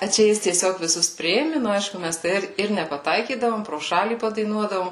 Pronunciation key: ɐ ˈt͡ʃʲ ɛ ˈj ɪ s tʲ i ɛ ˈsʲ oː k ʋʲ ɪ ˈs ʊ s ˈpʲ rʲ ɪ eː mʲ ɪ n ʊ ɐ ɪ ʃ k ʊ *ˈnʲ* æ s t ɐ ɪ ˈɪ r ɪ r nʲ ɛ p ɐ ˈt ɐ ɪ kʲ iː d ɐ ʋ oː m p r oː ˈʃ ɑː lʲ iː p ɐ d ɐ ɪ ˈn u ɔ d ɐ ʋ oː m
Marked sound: incorrect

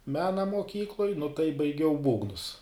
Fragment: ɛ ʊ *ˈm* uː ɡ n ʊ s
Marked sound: incorrect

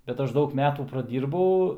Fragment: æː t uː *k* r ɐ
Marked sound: incorrect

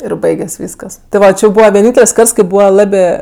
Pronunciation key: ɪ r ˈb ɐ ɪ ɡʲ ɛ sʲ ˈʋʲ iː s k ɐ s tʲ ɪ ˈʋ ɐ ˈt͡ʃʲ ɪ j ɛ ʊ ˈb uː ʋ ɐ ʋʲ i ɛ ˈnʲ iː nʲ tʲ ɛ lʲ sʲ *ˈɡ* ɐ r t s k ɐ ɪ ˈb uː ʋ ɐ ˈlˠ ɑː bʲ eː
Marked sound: incorrect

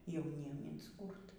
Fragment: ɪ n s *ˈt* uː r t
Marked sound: incorrect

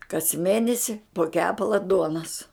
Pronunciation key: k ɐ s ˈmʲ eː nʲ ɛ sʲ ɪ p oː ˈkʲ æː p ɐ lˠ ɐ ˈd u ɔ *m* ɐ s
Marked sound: incorrect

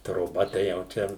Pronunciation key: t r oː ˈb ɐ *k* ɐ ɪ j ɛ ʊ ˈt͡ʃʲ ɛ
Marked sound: incorrect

